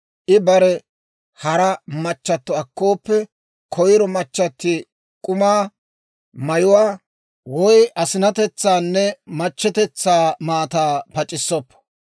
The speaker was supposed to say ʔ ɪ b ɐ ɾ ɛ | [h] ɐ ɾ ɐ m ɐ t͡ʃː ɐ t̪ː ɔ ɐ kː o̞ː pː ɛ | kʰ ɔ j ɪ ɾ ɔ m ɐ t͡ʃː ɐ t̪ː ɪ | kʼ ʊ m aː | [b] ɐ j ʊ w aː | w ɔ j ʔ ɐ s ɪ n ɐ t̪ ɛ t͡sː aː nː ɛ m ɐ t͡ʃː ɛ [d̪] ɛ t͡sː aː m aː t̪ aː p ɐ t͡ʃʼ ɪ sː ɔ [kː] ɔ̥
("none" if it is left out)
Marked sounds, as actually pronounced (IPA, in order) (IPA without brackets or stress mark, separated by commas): h, m, t̪, pː